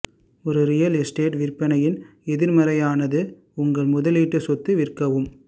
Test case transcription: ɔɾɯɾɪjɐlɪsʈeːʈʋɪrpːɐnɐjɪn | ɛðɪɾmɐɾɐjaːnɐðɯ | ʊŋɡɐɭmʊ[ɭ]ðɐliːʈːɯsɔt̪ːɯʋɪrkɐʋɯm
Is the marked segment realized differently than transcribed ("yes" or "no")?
yes